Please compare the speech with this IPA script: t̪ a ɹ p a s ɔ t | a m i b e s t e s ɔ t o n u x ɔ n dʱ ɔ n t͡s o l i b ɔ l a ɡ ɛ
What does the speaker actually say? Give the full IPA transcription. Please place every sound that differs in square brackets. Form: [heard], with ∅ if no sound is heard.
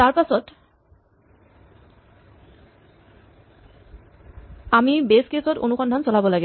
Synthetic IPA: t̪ a ɹ p a s ɔ t | a m i b e s [k] e s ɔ t o n u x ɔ n dʱ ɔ n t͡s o l [a] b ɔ l a ɡ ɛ